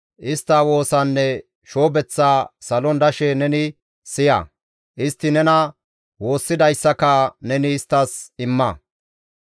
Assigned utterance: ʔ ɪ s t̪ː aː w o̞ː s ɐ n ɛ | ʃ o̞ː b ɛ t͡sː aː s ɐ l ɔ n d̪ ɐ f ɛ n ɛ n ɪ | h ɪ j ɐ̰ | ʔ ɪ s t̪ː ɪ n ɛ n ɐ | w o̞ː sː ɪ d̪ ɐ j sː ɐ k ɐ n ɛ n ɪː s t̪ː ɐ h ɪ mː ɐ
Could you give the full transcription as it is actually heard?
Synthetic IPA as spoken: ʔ ɪ s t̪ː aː w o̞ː s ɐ nː ɛ | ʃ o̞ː b ɛ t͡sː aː s ɐ l ɔ n d̪ ɐ ʃ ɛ n ɛ n ɪ | s ɪ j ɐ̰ | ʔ ɪ s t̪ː ɪ n ɛ n ɐ | w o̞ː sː ɪ d̪ ɐ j sː ɐ k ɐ n ɛ n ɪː s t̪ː ɐ s ɪ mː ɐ